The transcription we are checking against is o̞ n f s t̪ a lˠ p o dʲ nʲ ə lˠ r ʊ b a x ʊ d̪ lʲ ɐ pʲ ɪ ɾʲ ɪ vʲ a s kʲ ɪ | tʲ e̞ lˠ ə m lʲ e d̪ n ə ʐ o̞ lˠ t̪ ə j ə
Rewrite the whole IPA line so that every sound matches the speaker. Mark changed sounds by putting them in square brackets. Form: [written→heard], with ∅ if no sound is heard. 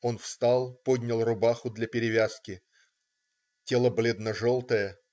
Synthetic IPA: o̞ n f s t̪ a lˠ p o dʲ nʲ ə lˠ r ʊ b a x ʊ d̪ lʲ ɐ pʲ ɪ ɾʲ ɪ vʲ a s kʲ ɪ | tʲ e̞ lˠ ə [m→b] lʲ e d̪ n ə ʐ o̞ lˠ t̪ ə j ə